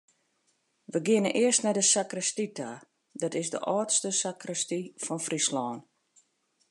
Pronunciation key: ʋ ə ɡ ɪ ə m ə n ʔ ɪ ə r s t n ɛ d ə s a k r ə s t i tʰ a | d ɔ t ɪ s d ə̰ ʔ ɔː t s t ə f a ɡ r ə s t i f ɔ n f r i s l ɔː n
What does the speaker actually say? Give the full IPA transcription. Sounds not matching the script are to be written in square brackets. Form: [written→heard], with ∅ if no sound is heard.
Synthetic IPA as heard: ʋ ə ɡ ɪ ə [m→n] ə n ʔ ɪ ə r s t n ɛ d ə s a k r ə s t i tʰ a | d ɔ t ɪ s d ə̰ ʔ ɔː t s t ə [f→s] a [ɡ→k] r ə s t i f ɔ n f r i s l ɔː n